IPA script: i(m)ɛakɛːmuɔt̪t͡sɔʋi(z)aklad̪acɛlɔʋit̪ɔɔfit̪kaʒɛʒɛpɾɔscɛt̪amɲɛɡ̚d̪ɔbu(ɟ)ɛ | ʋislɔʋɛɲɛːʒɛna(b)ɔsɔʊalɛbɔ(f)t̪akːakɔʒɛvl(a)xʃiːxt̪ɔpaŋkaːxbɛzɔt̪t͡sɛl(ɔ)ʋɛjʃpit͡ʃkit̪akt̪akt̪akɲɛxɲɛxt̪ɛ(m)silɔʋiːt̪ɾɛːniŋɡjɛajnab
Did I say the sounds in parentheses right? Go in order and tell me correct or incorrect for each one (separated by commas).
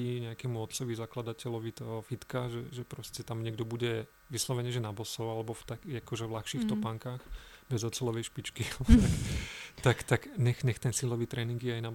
incorrect, correct, correct, correct, correct, correct, correct, incorrect